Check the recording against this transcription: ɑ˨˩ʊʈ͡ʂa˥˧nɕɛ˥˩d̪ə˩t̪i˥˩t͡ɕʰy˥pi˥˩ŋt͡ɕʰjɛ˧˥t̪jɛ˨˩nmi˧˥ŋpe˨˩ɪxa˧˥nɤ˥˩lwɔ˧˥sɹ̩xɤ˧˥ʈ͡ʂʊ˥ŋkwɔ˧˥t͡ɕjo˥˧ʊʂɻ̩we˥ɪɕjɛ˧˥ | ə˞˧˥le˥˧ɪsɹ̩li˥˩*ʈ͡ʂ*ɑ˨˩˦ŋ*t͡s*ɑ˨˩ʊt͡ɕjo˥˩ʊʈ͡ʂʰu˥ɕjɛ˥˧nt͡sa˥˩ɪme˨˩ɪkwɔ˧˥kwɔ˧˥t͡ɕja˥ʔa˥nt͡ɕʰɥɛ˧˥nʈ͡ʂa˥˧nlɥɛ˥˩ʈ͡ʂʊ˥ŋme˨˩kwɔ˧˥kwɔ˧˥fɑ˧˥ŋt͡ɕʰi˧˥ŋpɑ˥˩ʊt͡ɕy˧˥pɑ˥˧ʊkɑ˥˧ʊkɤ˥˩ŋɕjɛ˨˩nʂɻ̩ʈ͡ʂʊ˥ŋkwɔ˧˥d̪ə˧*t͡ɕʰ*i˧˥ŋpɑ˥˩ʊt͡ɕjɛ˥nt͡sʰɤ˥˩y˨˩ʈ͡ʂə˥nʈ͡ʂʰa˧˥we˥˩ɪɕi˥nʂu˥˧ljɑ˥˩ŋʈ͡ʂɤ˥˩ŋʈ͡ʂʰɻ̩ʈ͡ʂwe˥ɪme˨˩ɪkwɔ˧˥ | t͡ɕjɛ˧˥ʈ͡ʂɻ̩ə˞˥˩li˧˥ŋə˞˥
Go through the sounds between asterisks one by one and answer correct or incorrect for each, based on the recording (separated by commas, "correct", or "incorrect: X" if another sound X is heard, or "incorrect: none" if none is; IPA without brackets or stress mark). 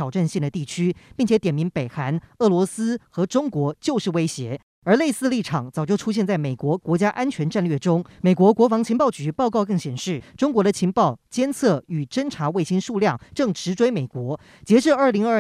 incorrect: ʈ͡ʂʰ, correct, correct